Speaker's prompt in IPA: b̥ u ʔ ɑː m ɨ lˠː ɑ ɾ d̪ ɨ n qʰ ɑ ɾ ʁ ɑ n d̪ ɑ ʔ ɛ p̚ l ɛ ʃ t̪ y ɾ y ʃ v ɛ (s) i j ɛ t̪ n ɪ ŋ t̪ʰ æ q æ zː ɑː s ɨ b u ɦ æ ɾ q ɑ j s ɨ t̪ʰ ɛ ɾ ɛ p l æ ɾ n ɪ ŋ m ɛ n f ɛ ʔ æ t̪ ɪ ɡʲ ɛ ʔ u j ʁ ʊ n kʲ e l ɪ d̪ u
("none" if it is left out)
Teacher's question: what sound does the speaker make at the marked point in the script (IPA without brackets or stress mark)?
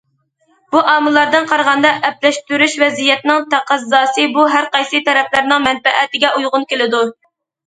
z